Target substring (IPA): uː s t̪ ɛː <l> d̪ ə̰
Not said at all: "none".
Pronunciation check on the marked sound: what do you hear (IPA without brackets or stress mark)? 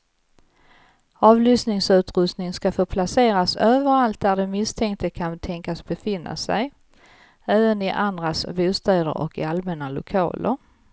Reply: none